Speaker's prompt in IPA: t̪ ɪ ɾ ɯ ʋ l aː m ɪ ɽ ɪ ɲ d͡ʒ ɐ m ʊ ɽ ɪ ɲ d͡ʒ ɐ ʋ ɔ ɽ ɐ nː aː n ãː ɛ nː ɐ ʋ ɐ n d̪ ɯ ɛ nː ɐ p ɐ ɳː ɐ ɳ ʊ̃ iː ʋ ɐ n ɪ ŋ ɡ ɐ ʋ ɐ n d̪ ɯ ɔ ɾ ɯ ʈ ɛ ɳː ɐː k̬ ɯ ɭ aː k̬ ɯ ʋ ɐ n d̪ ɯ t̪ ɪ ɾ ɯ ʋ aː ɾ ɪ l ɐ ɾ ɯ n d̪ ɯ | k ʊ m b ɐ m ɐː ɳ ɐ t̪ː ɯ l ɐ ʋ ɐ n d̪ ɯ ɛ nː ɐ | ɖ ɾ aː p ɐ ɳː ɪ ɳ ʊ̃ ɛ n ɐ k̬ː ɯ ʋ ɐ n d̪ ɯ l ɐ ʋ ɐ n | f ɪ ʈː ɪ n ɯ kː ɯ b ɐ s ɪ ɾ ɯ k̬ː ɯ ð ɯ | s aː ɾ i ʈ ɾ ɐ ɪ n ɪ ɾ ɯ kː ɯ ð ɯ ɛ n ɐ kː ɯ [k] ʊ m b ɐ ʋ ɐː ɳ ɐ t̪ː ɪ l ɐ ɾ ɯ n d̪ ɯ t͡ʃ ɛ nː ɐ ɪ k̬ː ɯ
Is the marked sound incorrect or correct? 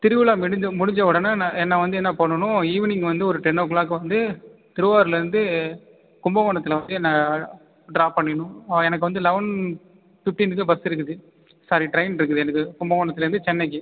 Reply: correct